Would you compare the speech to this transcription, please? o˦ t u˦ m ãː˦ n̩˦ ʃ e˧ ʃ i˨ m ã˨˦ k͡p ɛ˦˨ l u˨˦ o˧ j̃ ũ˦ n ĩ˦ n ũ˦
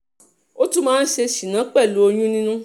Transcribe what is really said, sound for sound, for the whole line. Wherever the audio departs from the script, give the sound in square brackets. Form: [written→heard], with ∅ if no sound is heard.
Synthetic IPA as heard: o˦ t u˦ m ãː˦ n̩˦ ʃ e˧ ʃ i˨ [m→n] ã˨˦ k͡p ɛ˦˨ l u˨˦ o˧ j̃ ũ˦ n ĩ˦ n ũ˦

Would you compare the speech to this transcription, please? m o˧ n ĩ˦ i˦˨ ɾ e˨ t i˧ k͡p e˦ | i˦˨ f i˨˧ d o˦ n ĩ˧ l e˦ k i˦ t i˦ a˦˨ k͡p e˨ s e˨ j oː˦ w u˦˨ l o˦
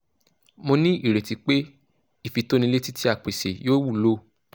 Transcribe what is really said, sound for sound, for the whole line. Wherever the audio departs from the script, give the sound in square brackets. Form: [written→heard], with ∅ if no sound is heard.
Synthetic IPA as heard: m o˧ n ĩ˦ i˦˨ ɾ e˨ t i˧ k͡p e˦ | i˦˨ f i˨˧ [d→t] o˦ n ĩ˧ l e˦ [k→t] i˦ t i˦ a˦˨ k͡p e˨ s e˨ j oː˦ w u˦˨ l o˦

